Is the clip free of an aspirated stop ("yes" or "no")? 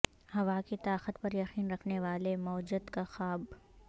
no